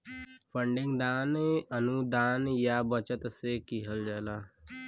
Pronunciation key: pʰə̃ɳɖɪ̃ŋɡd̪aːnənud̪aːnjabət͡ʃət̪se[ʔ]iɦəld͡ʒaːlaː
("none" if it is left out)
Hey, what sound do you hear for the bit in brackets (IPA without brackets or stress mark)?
k